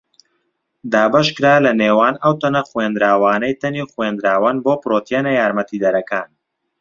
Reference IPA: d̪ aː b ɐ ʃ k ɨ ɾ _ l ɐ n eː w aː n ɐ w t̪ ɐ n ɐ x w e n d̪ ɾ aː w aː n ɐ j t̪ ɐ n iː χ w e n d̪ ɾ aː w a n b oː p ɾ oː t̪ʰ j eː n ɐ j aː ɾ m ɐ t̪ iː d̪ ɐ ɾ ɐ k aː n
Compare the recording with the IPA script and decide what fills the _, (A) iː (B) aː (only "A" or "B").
B